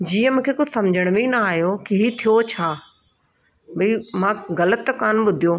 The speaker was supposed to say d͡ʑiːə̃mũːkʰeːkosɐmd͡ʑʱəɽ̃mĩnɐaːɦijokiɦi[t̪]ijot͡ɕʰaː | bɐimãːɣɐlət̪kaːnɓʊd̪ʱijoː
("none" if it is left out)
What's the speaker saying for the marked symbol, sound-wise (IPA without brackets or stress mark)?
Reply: t̪ʰ